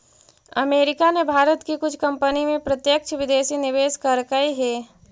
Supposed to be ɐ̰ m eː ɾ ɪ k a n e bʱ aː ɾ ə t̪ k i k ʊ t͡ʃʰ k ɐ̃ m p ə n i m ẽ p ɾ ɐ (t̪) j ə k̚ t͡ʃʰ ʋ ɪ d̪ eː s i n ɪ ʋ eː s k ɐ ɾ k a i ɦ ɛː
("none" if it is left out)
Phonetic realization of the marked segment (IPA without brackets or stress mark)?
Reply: t̪